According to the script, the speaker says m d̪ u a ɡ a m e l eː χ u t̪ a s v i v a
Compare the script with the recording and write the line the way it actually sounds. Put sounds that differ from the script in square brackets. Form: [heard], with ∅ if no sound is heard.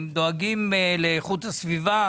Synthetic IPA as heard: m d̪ [o] a ɡ [i] m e l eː χ u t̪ a s v i v a